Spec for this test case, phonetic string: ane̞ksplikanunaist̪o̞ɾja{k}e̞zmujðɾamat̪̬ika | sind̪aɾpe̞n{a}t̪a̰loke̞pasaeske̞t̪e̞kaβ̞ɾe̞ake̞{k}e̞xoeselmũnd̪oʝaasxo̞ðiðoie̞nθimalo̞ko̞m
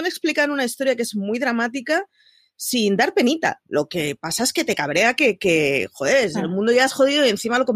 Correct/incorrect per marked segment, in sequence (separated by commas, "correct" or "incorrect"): correct, incorrect, correct